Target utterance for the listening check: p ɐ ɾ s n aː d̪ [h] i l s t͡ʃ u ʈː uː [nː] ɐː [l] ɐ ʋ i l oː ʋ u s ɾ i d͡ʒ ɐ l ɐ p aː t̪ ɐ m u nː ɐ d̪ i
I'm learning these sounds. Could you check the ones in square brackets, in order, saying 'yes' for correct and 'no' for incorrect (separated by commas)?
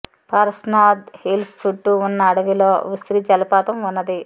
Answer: yes, yes, no